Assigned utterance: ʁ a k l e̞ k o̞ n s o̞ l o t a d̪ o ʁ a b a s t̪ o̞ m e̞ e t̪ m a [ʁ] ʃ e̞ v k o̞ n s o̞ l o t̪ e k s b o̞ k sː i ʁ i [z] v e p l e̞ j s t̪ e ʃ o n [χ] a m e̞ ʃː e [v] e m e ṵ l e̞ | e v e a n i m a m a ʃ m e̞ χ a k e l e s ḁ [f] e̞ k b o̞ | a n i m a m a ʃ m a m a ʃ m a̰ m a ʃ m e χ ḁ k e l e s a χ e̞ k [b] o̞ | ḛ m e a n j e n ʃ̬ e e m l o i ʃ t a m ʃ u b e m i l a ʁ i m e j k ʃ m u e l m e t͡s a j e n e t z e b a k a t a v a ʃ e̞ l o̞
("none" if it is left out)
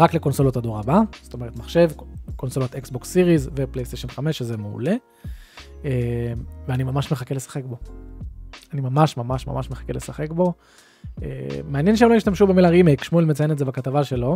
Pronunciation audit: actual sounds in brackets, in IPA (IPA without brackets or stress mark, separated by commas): χ, z, χ, z, χ, b